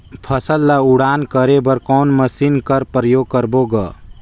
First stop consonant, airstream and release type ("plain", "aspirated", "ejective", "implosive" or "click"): aspirated